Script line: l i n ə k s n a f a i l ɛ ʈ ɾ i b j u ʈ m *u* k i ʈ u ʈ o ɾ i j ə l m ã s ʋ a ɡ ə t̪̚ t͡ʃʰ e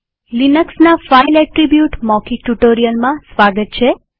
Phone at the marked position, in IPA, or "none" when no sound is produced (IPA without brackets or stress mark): ɔ